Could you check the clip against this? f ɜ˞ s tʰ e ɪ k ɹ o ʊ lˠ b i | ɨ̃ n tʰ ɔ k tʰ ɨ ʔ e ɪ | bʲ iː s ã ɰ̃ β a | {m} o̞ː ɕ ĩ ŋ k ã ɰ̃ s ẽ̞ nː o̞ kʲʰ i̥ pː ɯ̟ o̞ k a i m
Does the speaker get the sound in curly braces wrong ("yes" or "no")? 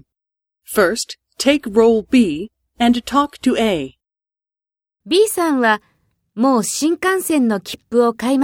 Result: no